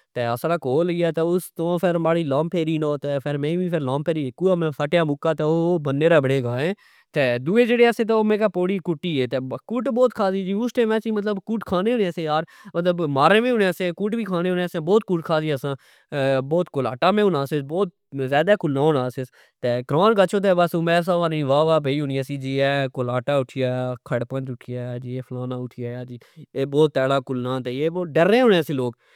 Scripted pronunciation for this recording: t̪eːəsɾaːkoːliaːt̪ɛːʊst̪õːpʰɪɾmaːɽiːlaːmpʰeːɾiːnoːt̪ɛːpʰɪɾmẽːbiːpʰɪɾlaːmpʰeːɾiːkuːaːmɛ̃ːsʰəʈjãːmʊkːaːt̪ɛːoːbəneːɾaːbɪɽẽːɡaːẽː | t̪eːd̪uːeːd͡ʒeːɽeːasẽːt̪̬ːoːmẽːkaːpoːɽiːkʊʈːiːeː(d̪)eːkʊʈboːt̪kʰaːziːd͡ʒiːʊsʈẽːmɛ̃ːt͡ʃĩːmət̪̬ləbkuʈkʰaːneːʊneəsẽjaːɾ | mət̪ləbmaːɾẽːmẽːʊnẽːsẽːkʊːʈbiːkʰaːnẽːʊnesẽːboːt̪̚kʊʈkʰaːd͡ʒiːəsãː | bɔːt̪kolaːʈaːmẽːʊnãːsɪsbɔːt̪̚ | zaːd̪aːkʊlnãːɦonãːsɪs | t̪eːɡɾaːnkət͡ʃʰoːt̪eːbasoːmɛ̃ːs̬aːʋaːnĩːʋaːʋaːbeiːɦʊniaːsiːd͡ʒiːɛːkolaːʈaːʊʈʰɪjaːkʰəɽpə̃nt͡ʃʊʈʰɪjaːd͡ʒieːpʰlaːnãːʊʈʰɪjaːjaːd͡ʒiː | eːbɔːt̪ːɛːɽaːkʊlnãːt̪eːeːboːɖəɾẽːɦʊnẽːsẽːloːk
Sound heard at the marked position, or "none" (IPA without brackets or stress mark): t̪